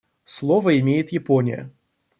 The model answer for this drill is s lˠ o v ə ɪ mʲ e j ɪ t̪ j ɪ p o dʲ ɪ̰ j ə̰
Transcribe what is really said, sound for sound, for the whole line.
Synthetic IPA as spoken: s lˠ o v ə ɪ mʲ e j ɪ t̪ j ɪ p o nʲ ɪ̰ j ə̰